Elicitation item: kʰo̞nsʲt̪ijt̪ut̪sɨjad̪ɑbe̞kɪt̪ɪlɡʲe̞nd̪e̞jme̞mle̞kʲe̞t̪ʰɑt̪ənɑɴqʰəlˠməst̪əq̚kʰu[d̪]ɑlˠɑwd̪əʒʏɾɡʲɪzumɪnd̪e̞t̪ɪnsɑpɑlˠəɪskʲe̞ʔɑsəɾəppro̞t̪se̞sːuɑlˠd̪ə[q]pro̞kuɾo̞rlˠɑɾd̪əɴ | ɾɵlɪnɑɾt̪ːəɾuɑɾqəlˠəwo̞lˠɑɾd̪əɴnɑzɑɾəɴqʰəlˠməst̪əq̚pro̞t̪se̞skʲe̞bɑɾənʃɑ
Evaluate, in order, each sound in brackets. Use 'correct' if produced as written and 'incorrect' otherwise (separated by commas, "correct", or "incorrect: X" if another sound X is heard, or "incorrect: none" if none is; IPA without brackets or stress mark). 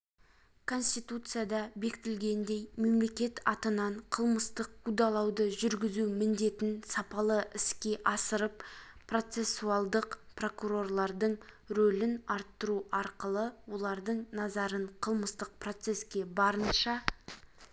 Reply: correct, correct